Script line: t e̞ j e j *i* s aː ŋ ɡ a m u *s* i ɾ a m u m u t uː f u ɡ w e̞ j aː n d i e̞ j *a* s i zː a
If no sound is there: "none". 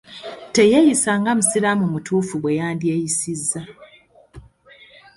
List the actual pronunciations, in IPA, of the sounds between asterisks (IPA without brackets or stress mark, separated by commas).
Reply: i, s, i